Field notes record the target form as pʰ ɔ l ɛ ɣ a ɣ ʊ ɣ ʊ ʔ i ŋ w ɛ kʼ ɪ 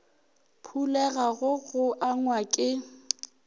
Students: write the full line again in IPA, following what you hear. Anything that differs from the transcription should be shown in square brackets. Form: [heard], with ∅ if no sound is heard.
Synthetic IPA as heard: pʰ [u] l ɛ ɣ a ɣ ʊ ɣ ʊ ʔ [a] ŋ w [a] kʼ ɪ